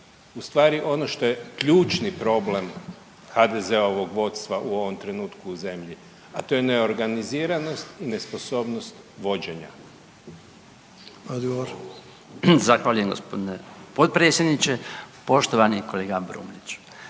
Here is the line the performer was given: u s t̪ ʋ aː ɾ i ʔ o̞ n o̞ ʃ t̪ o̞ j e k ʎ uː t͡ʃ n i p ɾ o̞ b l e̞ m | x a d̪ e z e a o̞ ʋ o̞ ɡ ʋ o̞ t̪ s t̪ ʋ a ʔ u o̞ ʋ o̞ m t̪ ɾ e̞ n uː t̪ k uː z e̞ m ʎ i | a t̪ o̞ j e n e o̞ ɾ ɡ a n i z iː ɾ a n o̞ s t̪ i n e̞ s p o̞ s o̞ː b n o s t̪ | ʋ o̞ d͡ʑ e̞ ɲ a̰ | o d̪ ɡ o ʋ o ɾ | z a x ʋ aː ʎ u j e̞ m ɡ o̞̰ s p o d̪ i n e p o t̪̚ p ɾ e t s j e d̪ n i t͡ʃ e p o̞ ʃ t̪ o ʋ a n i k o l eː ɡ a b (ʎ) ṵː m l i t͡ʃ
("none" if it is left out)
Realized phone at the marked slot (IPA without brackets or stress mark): ɾ